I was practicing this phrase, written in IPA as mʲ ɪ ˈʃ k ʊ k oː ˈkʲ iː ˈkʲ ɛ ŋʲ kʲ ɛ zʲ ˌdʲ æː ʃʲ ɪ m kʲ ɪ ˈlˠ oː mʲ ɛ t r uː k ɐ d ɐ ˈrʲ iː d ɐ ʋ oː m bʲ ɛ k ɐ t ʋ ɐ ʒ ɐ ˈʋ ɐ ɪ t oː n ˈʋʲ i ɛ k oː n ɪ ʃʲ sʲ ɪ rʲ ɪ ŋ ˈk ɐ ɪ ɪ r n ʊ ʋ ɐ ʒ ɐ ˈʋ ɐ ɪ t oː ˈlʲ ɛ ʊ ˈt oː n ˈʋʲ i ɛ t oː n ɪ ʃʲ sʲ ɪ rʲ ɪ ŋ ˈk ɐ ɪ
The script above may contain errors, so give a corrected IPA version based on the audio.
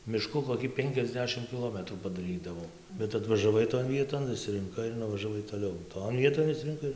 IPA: mʲ ɪ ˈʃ k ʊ k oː ˈkʲ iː ˈpʲ ɛ ŋʲ kʲ ɛ zʲ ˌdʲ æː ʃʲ ɪ m kʲ ɪ ˈlˠ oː mʲ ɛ t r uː p ɐ d ɐ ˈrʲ iː d ɐ ʋ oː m bʲ ɛ t ɐ t ʋ ɐ ʒ ɐ ˈʋ ɐ ɪ t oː n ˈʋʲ i ɛ t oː n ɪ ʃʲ sʲ ɪ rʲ ɪ ŋ ˈk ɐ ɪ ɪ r n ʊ ʋ ɐ ʒ ɐ ˈʋ ɐ ɪ t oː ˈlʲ ɛ ʊ ˈt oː n ˈʋʲ i ɛ t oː n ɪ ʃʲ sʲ ɪ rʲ ɪ ŋ ˈk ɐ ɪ